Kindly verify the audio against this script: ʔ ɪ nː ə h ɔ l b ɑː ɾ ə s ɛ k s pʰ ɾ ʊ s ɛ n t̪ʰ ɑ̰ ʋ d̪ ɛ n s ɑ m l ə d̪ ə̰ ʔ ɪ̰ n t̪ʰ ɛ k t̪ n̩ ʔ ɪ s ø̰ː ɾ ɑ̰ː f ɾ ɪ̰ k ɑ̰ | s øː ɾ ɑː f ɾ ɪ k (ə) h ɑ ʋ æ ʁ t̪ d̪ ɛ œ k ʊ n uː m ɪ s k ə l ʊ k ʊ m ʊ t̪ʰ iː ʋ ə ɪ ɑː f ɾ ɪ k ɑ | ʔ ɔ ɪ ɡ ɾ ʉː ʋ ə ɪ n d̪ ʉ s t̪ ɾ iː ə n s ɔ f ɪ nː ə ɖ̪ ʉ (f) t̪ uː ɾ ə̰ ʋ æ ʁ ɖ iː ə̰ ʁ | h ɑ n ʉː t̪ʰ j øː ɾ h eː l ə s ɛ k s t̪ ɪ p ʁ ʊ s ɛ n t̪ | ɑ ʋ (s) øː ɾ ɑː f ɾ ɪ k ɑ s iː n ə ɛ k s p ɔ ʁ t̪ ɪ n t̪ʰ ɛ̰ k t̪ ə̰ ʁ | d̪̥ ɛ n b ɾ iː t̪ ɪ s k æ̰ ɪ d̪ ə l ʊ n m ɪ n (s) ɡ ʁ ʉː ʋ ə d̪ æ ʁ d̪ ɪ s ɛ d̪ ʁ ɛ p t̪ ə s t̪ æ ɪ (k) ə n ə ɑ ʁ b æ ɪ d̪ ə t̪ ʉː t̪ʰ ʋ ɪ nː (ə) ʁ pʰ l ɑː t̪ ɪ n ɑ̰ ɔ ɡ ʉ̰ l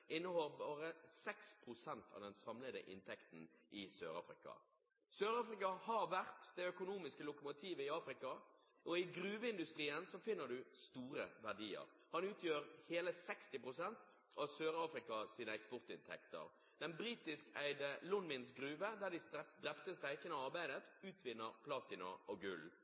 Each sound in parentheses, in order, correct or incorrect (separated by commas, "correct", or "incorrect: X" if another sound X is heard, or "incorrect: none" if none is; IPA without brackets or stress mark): incorrect: ɑ, incorrect: s, correct, correct, correct, correct